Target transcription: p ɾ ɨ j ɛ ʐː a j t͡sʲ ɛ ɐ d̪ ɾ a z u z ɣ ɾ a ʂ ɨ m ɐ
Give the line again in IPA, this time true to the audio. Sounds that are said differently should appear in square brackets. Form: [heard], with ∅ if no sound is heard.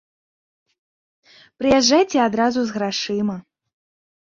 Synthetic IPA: p ɾ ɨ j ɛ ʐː a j t͡sʲ ɛ [a] d̪ ɾ a z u z ɣ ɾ a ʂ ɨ m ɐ